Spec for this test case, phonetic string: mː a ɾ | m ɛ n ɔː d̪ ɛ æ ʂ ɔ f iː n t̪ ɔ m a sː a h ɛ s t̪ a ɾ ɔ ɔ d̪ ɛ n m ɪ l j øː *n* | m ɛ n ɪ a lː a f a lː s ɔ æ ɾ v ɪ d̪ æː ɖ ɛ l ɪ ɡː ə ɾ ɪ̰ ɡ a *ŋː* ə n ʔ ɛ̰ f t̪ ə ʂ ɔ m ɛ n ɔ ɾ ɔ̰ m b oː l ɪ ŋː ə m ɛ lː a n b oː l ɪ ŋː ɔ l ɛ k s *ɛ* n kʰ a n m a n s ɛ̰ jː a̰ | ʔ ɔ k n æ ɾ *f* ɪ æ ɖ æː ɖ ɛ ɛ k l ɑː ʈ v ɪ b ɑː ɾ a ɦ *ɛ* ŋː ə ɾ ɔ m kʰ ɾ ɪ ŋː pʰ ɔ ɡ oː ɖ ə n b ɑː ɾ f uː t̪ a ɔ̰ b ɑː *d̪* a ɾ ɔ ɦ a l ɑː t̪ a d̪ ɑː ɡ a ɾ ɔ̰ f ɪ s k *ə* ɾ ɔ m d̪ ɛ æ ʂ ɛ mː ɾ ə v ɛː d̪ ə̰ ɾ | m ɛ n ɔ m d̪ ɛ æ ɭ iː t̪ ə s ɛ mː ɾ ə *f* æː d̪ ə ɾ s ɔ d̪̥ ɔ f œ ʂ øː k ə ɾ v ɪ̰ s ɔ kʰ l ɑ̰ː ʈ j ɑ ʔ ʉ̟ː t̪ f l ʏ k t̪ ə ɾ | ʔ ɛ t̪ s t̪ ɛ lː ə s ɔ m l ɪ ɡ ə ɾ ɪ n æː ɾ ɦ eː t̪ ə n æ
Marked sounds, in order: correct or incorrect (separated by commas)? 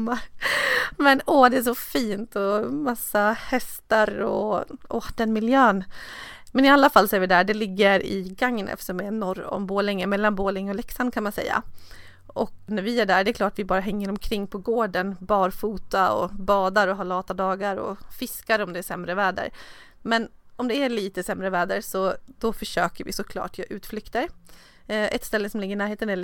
correct, correct, incorrect, incorrect, correct, correct, incorrect, incorrect